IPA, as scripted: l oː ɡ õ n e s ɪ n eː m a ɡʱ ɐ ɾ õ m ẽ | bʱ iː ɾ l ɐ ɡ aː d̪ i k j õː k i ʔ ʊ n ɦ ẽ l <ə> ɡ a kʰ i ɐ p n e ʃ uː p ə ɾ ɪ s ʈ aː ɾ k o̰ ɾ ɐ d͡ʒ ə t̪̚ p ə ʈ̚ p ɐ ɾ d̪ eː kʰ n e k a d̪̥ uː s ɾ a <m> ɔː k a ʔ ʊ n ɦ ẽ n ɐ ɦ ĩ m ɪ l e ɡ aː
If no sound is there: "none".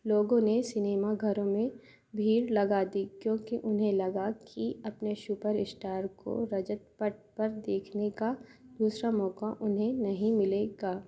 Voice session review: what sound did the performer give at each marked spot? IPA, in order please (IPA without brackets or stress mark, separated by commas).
ɐ, m